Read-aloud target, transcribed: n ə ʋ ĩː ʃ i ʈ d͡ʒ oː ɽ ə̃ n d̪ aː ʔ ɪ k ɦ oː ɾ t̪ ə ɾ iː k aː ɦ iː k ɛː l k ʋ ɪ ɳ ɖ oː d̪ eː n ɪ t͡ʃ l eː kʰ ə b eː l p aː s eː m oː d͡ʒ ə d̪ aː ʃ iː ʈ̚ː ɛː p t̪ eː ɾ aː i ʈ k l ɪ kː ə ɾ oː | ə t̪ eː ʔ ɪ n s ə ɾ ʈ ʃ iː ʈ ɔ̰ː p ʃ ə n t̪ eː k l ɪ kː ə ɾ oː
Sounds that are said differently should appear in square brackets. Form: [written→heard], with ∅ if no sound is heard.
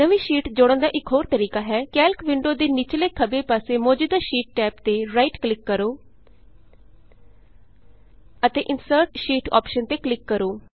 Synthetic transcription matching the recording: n ə ʋ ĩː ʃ [i→iː] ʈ d͡ʒ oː ɽ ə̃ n d̪ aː ʔ ɪ k ɦ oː ɾ t̪ ə ɾ iː k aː ɦ [iː→ɛː] k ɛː l k ʋ ɪ ɳ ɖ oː d̪ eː n ɪ t͡ʃ l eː kʰ ə b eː [l→∅] p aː s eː m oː d͡ʒ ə d̪ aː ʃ iː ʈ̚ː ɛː p t̪ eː ɾ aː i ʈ k l ɪ kː ə ɾ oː | ə t̪ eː ʔ ɪ n s ə ɾ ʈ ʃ iː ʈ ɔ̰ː p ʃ ə n t̪ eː k l ɪ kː ə ɾ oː